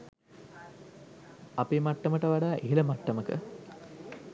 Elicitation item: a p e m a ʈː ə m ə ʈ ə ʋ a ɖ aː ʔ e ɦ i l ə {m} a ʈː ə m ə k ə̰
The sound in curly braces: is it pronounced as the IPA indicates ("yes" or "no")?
yes